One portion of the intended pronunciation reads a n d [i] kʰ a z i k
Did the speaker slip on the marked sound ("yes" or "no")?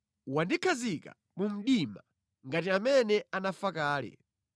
no